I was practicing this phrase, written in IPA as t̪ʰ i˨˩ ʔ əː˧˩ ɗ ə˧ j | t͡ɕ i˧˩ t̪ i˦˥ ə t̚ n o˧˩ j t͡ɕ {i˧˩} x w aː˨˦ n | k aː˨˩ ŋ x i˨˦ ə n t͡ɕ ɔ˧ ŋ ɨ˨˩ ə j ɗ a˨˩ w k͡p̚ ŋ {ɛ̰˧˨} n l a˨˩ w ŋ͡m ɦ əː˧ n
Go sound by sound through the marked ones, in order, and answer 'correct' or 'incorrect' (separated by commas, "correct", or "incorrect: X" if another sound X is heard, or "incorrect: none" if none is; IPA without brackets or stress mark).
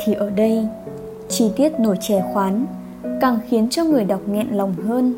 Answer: incorrect: ɛ˧˩, correct